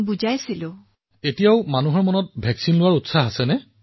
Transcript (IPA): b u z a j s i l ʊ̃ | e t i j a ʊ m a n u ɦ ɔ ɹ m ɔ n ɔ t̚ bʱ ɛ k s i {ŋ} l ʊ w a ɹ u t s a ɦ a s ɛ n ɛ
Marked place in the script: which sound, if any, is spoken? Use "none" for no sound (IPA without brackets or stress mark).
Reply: n